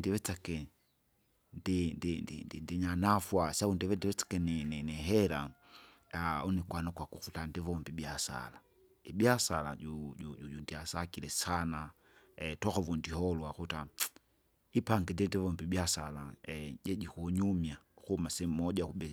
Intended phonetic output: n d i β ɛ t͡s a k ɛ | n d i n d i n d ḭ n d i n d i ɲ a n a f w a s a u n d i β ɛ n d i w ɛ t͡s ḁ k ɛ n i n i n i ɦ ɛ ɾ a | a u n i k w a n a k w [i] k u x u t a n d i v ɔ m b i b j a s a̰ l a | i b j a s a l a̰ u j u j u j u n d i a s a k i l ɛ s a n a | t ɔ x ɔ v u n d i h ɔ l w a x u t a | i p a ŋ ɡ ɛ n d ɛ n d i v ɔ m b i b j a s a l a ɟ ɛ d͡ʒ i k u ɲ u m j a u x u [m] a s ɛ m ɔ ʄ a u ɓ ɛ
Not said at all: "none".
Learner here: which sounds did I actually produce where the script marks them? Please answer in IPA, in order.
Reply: a, m

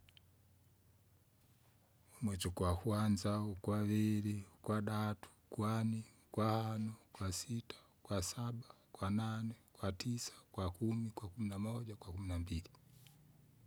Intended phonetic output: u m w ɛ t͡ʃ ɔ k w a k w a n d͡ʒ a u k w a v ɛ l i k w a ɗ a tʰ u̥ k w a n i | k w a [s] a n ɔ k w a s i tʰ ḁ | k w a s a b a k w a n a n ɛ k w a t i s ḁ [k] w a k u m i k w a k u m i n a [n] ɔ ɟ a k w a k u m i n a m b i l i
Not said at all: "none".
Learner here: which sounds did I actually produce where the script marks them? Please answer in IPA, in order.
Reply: h, k, m

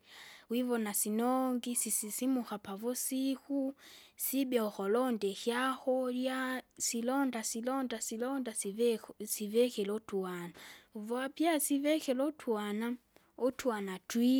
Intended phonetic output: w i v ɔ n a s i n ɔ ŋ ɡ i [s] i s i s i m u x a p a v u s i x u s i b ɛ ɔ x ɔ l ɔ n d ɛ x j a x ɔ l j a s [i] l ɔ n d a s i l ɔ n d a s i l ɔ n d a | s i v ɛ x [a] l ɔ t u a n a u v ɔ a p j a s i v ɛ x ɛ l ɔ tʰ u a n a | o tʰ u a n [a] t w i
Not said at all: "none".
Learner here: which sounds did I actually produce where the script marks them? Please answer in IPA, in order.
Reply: s, i, ɛ, a

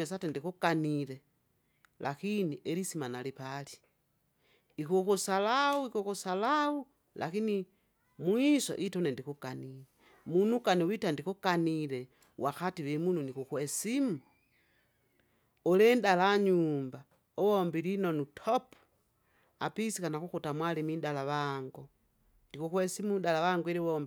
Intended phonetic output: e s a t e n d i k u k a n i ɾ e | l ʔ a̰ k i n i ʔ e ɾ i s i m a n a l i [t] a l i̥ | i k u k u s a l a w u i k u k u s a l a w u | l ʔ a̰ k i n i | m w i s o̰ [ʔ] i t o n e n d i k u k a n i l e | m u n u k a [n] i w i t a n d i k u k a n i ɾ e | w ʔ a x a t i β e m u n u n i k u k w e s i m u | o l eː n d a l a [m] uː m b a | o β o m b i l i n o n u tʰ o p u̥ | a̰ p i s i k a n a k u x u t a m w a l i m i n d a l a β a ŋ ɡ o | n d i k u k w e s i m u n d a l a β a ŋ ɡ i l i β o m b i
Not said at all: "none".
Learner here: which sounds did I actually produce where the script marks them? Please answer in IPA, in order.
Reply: p, ʔ, n, ɲ

